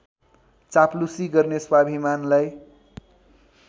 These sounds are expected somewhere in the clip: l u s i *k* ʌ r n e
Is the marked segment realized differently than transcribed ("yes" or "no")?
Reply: yes